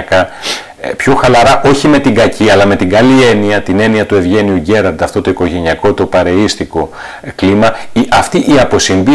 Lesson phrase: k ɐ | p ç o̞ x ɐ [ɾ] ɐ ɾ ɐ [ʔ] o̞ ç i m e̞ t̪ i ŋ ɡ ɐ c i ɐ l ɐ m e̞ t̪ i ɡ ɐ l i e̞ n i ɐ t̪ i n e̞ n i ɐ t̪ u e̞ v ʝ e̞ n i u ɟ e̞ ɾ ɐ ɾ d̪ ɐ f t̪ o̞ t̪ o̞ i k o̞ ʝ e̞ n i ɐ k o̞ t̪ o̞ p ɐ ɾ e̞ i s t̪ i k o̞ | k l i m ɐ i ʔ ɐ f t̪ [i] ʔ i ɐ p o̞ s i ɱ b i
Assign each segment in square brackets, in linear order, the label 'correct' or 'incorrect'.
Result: incorrect: l, correct, correct

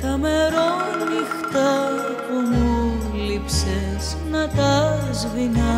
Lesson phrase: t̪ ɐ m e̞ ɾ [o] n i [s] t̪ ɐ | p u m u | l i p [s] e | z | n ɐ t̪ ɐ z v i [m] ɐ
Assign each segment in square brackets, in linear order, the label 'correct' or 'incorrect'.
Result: correct, incorrect: x, correct, incorrect: n

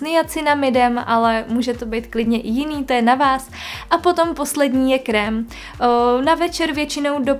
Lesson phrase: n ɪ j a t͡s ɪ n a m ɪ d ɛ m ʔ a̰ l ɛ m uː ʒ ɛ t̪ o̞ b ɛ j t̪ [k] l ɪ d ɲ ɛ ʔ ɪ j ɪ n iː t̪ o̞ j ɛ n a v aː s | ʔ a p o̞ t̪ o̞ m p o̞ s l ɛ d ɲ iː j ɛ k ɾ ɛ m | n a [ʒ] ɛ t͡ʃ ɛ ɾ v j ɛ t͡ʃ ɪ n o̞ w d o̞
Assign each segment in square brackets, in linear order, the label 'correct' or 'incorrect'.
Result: correct, incorrect: v

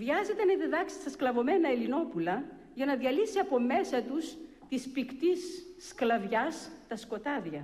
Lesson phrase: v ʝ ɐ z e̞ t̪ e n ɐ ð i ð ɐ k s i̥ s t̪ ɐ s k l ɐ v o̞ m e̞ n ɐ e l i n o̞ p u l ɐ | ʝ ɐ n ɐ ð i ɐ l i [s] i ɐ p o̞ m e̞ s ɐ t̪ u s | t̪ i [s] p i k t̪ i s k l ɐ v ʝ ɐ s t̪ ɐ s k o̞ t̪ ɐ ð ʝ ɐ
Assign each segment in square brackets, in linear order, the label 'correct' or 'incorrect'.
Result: correct, correct

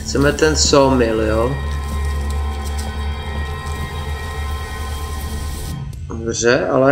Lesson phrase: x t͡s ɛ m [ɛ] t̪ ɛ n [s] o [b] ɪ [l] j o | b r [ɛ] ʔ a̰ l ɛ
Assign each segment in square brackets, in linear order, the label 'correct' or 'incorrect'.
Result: correct, correct, incorrect: m, correct, correct

